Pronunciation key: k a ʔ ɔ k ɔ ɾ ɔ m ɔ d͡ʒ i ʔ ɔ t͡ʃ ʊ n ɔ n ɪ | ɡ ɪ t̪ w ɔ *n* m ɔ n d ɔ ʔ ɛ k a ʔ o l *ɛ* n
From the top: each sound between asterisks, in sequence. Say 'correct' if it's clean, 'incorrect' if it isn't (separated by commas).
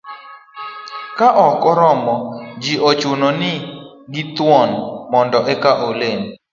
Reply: correct, incorrect